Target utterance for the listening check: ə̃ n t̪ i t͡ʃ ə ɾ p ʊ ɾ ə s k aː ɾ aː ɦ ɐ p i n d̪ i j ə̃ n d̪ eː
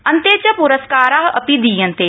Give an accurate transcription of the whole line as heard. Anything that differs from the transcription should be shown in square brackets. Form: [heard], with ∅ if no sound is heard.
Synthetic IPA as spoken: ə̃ n t̪ [e] t͡ʃ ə [∅] p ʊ ɾ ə s k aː ɾ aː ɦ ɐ p i [∅] d̪ i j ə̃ n [t̪] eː

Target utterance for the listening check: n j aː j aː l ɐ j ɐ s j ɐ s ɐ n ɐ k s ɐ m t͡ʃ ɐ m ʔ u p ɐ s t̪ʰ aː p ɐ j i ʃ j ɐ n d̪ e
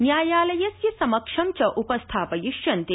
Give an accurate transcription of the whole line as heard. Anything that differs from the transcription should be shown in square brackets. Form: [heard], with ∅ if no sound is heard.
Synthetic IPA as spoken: n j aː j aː l ɐ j ɐ s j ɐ s ɐ [m] ɐ k [ʂ] ɐ m t͡ʃ ɐ [∅] ʔ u p ɐ s t̪ʰ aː p ɐ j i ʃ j ɐ n [t̪] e

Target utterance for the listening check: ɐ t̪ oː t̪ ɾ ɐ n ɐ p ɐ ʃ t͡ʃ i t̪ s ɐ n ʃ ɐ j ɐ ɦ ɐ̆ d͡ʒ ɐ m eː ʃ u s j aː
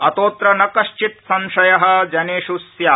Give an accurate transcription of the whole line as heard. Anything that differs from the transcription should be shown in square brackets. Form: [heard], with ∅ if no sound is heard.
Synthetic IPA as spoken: ɐ t̪ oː t̪ ɾ ɐ n ɐ [k] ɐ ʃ t͡ʃ i t̪ s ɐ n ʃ ɐ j ɐ ɦ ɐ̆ d͡ʒ ɐ [n] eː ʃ u s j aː

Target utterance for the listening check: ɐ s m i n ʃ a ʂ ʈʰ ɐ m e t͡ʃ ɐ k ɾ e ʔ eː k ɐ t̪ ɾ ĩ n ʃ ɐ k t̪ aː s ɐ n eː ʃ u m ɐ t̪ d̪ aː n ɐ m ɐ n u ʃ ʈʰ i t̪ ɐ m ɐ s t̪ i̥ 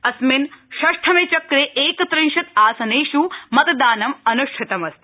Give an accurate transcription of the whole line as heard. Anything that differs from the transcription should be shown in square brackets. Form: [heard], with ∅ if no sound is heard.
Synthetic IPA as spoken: ɐ s m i n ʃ [ɐ] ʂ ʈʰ ɐ m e t͡ʃ ɐ k ɾ e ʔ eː k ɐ t̪ ɾ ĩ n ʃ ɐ [∅] t̪ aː s ɐ n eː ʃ u m ɐ t̪ d̪ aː n ɐ m ɐ n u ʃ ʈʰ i t̪ ɐ m ɐ s t̪ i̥

